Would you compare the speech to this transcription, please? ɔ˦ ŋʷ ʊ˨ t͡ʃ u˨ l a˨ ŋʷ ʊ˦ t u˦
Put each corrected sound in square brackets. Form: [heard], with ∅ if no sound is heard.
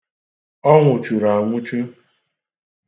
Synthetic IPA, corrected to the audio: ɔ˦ ŋʷ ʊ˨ t͡ʃ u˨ [ɾ] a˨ ŋʷ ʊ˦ [t͡ʃ] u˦